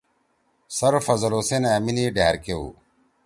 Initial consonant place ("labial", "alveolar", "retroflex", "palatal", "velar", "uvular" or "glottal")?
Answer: alveolar